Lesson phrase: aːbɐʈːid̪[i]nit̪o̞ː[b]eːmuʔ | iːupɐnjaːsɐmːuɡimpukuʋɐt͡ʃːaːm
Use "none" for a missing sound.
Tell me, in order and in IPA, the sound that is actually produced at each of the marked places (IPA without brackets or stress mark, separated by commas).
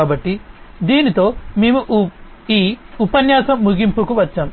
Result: iː, m